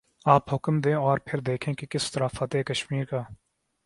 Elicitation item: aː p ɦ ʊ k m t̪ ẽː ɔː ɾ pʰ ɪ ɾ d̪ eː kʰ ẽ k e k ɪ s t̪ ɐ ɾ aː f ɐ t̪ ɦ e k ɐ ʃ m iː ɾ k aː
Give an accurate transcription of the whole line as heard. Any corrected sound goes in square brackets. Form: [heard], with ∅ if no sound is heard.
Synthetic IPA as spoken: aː p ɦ ʊ k m [d̪] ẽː ɔː ɾ pʰ ɪ ɾ d̪ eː kʰ ẽ k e k ɪ s t̪ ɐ ɾ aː f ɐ t̪ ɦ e k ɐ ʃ m iː ɾ k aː